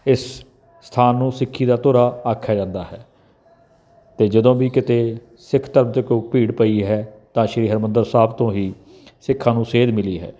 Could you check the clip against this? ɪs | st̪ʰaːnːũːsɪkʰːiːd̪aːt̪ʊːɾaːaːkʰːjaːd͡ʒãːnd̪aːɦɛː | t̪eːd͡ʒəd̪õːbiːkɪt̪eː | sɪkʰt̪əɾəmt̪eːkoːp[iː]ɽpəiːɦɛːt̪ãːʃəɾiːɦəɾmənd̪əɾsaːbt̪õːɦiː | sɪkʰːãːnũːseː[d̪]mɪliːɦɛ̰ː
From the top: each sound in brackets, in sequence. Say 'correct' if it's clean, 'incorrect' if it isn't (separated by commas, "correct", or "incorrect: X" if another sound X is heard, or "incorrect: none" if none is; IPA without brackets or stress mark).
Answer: correct, correct